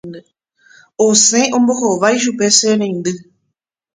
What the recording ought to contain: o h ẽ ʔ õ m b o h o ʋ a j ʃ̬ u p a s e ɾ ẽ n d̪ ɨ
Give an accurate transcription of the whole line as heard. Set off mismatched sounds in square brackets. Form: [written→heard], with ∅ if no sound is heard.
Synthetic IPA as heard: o [h→s] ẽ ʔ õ m b o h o ʋ a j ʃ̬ u p [a→e] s e ɾ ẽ n d̪ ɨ

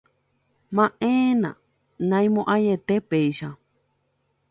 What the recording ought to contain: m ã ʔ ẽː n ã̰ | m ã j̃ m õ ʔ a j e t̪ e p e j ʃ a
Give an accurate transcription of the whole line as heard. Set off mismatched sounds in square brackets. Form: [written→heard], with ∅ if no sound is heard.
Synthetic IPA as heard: m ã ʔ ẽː n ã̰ | [m→n] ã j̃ m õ ʔ a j e t̪ e p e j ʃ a

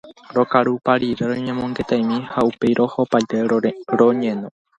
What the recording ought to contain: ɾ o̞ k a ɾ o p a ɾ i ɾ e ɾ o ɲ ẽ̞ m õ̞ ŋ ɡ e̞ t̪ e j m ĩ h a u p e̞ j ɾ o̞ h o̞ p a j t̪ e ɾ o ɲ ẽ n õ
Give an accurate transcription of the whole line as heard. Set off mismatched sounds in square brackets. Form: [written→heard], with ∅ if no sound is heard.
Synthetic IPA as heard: ɾ o̞ k a ɾ [o→u] p a ɾ i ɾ e ɾ o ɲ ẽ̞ m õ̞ ŋ ɡ e̞ t̪ [e→a] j m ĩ h a u p e̞ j ɾ o̞ h o̞ p a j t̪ e ɾ o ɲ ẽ n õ

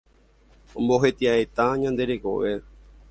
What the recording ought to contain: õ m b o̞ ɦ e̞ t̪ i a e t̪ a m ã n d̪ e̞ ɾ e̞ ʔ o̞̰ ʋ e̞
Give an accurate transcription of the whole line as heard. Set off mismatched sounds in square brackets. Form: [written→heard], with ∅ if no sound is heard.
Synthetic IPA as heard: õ m b o̞ ɦ e̞ t̪ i a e t̪ a [m→ɲ] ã n d̪ e̞ ɾ e̞ [ʔ→k] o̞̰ ʋ e̞

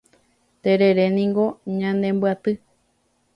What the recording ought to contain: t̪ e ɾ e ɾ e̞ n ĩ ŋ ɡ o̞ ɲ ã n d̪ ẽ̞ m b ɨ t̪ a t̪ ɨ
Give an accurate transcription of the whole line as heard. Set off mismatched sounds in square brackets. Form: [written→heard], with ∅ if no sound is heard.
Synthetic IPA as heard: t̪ e ɾ e ɾ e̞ n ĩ ŋ ɡ o̞ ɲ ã n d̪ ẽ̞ m b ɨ [t̪→∅] a t̪ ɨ

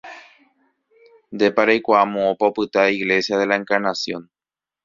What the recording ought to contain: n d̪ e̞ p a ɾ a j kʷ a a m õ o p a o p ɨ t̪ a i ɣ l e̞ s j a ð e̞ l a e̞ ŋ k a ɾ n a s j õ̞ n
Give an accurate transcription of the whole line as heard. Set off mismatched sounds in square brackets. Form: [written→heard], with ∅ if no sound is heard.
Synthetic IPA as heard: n d̪ e̞ p a ɾ a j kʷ a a m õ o p a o p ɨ t̪ a i ɣ l e̞ s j a ð e̞ l a e̞ ŋ k a ɾ n a s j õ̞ n

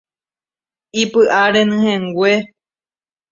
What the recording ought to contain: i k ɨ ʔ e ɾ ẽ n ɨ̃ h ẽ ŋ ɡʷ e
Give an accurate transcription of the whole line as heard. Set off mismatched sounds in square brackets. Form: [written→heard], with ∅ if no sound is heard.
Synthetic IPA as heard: i [k→p] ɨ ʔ [e→a] ɾ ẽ n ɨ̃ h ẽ ŋ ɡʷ e

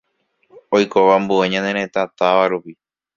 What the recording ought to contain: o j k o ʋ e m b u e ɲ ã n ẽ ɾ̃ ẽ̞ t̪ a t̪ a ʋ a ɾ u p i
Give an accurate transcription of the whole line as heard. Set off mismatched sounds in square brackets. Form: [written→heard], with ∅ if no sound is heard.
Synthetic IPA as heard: o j k o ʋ [e→a] m b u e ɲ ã n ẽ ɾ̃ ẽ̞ t̪ a t̪ a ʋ a ɾ u p i

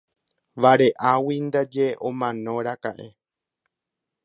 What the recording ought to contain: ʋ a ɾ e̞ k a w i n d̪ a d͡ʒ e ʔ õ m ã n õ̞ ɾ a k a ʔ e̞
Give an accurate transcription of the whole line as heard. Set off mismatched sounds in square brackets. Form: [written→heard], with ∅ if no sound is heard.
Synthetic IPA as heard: ʋ a ɾ e̞ [k→ʔ] a w i n d̪ a d͡ʒ e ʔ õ m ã n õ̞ ɾ a k a ʔ e̞

